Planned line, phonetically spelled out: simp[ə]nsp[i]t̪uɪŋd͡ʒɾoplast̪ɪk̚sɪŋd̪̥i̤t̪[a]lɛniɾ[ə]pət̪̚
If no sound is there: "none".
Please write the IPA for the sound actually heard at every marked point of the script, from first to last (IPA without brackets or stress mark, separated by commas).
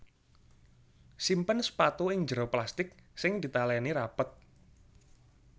ə, a, a, a